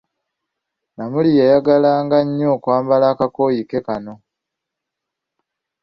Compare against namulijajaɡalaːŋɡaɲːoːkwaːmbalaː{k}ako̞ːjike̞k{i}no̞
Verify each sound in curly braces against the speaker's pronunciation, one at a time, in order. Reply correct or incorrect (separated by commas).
correct, incorrect